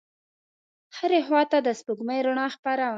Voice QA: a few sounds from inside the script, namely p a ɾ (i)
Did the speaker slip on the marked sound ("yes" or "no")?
yes